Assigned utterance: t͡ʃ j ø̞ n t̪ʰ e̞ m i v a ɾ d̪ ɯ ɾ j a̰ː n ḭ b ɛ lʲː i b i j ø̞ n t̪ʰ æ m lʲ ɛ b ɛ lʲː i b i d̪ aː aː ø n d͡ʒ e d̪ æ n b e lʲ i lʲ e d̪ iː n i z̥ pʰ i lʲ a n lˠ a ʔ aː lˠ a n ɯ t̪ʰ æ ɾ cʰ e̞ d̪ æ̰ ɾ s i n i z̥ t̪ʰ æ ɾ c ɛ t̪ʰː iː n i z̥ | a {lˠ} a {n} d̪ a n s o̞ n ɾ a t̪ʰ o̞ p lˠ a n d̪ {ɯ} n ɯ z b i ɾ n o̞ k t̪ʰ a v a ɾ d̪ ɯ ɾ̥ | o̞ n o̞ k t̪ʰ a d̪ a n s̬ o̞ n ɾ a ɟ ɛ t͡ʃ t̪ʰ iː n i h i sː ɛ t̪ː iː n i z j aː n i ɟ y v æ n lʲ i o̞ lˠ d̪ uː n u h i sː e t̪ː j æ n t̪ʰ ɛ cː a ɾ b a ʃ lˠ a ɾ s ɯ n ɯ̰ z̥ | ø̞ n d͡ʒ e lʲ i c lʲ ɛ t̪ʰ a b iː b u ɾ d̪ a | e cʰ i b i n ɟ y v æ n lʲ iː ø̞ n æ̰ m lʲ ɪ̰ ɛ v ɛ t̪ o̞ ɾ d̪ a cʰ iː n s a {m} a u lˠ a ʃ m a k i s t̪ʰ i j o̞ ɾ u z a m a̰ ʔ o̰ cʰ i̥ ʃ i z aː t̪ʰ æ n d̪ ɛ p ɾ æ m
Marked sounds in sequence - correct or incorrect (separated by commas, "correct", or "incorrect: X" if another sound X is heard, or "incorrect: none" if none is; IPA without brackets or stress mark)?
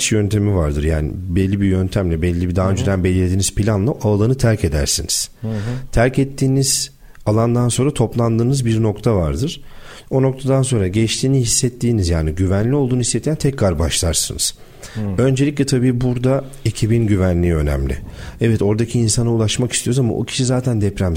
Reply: correct, correct, incorrect: ɯː, incorrect: n